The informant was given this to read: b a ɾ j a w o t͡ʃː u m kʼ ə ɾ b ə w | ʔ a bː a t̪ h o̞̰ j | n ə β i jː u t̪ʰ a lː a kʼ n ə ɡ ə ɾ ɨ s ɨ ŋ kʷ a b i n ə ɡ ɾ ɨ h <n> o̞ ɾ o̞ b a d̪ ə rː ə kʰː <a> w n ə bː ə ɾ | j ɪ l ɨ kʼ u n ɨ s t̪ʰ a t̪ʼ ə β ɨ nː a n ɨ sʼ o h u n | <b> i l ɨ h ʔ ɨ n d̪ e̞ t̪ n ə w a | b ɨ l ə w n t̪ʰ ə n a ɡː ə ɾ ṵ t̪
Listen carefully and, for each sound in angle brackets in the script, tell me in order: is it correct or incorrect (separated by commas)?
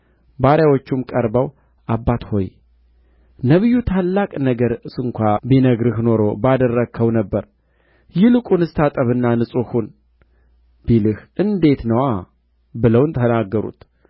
correct, incorrect, correct